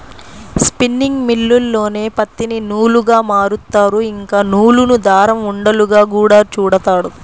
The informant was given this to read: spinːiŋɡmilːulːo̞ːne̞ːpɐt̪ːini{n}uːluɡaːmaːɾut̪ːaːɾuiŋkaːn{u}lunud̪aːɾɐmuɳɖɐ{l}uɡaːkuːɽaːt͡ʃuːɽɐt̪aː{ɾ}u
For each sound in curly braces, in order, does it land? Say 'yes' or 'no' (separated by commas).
yes, no, yes, no